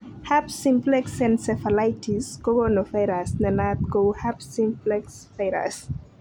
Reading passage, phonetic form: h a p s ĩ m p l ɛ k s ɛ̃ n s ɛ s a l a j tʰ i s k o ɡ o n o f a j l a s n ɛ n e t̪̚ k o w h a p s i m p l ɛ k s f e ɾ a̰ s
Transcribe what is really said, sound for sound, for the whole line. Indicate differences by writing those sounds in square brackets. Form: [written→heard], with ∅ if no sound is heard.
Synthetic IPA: h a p s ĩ m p l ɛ k s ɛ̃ n s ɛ [s→f] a l a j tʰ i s k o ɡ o n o f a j [l→ɾ] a s n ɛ n [e→a] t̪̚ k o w h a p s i m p l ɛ k s f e ɾ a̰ s